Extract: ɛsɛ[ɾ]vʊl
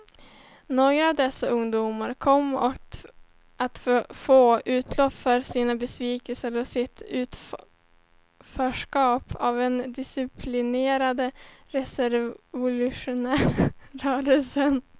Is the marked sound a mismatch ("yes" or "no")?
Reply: no